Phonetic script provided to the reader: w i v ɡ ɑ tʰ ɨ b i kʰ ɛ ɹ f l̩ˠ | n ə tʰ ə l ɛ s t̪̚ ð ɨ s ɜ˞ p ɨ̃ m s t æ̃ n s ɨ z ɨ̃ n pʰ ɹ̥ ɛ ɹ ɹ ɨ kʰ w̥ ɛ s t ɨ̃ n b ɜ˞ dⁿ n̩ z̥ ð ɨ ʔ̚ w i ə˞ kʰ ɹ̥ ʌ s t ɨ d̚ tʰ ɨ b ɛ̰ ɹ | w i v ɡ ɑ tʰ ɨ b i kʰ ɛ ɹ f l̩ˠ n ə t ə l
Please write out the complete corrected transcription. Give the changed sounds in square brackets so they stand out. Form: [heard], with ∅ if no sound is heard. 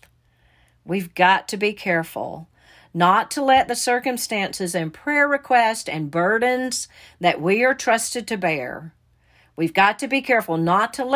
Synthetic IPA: w i v ɡ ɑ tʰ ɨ b i kʰ ɛ ɹ f l̩ˠ | n ə tʰ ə l ɛ [∅] t̪̚ ð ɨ s ɜ˞ [k] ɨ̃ m s t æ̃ n s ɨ z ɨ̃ n pʰ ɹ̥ ɛ ɹ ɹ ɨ kʰ w̥ ɛ s t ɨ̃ n b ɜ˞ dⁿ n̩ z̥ ð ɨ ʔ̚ w i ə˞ [tʰ] ɹ̥ ʌ s t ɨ d̚ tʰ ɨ b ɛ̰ ɹ | w i v ɡ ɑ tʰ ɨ b i kʰ ɛ ɹ f l̩ˠ n ə [tʰ] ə l